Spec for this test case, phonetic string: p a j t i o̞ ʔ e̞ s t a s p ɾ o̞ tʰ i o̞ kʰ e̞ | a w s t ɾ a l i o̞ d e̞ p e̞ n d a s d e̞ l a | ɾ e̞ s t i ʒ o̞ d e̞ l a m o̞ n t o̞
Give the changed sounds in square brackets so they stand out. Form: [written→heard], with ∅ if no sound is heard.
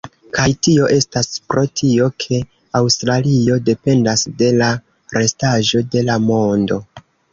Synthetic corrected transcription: [p→k] a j t i o̞ ʔ e̞ s t a s p ɾ o̞ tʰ i o̞ kʰ e̞ | a w s t ɾ a l i o̞ d e̞ p e̞ n d a s d e̞ l a | ɾ e̞ s t [i→a] ʒ o̞ d e̞ l a m o̞ n [t→d] o̞